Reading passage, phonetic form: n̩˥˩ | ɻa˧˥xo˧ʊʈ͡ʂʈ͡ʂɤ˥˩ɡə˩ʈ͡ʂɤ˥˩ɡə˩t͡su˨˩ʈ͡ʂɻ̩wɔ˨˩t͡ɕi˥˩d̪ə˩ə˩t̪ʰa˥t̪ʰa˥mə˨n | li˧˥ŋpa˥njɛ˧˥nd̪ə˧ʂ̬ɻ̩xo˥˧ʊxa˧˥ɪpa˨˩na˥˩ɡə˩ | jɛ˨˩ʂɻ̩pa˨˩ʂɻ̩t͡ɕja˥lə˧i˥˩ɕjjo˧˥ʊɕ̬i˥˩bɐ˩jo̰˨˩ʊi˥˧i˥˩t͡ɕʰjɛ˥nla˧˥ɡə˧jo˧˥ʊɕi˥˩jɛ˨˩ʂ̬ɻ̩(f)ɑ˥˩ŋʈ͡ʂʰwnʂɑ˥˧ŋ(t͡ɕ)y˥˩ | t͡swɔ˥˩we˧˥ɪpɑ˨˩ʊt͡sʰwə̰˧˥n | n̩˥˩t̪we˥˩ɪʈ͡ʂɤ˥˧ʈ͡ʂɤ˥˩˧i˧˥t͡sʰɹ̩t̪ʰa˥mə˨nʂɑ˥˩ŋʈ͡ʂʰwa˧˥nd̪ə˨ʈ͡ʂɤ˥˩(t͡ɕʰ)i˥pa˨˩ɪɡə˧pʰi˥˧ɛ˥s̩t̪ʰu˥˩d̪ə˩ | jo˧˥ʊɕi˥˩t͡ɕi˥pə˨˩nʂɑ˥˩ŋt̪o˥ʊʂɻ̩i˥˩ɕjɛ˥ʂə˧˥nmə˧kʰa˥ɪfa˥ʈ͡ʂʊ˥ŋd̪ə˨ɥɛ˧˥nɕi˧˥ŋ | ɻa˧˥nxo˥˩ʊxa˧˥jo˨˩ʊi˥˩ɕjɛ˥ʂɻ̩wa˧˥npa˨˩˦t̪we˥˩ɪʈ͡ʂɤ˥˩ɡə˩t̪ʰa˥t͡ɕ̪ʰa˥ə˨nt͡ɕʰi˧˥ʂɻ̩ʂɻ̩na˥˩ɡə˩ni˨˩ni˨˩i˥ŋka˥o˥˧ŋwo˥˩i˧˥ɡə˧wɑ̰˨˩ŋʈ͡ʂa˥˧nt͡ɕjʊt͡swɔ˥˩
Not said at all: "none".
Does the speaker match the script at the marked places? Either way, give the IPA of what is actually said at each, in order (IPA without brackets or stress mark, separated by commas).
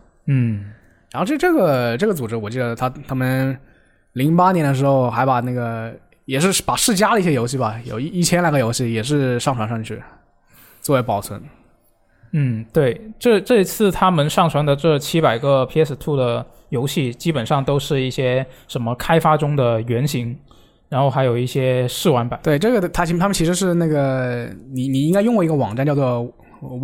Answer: ʂ, t͡ɕʰ, t͡ɕʰ